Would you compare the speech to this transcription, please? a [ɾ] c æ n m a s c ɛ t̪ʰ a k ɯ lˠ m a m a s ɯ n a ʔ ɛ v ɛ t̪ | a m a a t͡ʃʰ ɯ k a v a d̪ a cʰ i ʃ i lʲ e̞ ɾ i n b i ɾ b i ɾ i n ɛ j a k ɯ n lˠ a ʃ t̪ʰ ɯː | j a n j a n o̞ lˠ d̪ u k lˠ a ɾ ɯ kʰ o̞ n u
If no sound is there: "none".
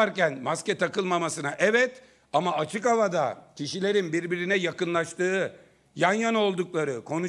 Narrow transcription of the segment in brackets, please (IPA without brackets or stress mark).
ɾ